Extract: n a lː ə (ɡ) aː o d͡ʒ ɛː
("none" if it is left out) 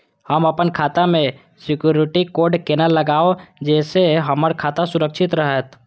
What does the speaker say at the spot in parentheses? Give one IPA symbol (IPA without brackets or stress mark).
ɡ